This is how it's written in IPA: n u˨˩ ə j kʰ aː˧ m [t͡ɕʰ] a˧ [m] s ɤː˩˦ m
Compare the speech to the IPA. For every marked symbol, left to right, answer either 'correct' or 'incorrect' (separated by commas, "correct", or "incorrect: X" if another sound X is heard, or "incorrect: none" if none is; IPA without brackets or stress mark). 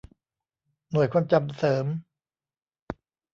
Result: incorrect: t͡ɕ, correct